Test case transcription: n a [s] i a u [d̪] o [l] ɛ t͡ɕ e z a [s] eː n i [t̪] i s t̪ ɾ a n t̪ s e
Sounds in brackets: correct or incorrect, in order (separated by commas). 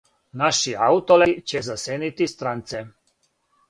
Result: incorrect, incorrect, correct, correct, correct